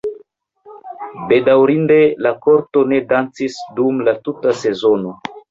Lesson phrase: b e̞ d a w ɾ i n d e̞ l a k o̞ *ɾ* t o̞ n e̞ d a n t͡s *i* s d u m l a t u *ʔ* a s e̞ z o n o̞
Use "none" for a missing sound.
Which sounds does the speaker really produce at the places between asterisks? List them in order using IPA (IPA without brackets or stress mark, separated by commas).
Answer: ɾ, i, t